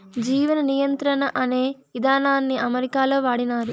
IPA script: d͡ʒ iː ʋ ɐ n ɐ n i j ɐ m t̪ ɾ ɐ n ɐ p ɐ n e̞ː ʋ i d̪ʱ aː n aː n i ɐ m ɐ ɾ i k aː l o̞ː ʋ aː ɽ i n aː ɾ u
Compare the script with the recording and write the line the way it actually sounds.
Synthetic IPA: d͡ʒ iː ʋ ɐ n ɐ n i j ɐ n t̪ ɾ ɐ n ɐ ʔ ɐ n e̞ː ʋ i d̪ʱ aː n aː nː i ɐ m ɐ ɾ i k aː l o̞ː ʋ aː ɽ i n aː ɾ u